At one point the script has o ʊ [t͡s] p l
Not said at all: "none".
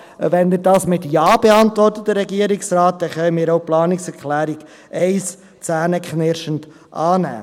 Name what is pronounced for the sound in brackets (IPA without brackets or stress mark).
none